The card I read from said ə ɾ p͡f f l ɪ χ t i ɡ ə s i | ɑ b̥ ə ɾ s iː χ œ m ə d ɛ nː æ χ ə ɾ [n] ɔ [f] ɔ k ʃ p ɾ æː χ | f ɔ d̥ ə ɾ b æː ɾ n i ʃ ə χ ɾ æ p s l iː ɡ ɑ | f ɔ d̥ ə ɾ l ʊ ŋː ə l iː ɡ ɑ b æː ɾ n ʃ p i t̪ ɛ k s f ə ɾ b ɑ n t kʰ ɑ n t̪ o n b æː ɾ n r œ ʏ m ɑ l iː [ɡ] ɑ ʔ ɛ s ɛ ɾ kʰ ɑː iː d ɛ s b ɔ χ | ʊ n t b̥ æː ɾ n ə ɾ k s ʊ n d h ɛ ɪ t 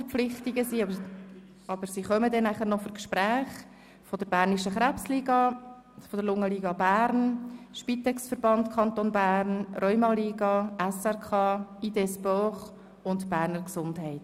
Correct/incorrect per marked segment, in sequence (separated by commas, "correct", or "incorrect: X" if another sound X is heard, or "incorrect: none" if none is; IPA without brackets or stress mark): correct, correct, correct